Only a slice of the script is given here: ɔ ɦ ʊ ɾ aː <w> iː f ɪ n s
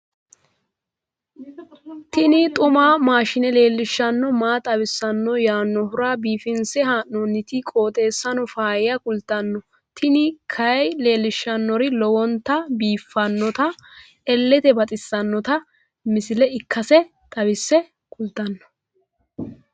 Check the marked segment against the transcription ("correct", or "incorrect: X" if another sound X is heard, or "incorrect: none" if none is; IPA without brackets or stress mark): incorrect: b